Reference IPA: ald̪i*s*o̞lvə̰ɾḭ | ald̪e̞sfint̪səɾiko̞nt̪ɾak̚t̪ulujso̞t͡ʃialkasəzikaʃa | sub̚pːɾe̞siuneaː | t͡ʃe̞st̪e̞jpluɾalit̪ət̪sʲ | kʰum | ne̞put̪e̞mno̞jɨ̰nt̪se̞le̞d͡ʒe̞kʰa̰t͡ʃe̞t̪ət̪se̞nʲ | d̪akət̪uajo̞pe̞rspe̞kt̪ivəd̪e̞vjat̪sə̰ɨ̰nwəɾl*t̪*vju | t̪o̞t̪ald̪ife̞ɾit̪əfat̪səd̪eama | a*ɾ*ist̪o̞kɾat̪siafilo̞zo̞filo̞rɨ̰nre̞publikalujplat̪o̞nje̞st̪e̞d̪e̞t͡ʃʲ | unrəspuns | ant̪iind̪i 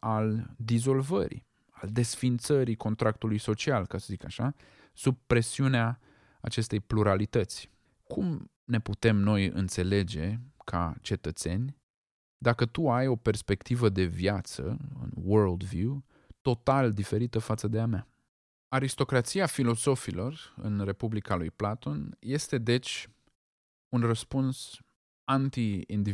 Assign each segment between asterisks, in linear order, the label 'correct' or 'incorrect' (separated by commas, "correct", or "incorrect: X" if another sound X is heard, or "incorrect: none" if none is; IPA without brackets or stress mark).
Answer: incorrect: z, incorrect: d̪, correct